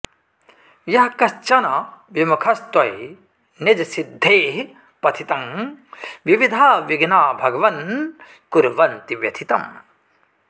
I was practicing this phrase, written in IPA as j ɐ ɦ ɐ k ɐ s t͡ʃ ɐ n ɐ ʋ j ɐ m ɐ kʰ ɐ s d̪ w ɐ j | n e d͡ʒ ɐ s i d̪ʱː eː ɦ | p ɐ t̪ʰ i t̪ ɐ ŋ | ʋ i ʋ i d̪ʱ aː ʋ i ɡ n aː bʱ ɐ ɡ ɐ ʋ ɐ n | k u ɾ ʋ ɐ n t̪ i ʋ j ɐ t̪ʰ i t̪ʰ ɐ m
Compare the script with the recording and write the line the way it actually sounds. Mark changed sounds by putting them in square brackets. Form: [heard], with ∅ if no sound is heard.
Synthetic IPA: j ɐ ɦ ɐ k ɐ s t͡ʃ ɐ n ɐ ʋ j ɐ m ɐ kʰ ɐ s [t̪] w ɐ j | n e d͡ʒ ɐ s i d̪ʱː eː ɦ | p ɐ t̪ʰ i t̪ ɐ ŋ | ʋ i ʋ i d̪ʱ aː ʋ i ɡ n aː bʱ ɐ ɡ ɐ ʋ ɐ n | k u ɾ ʋ ɐ n t̪ i ʋ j ɐ t̪ʰ i [t̪] ɐ m